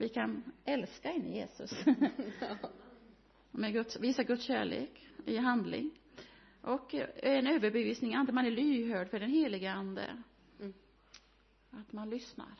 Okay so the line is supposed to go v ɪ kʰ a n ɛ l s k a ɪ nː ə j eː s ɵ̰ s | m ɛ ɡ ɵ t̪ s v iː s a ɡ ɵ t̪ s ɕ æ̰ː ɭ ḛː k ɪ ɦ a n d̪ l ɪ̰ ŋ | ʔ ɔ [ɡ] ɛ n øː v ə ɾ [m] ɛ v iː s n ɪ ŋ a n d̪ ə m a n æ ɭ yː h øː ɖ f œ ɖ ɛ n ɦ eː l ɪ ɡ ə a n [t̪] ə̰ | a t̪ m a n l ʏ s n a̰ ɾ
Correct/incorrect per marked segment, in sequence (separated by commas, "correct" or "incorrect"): incorrect, incorrect, incorrect